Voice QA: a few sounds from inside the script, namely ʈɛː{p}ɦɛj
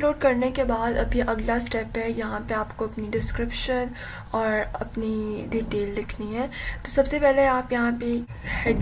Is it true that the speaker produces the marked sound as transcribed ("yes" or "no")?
yes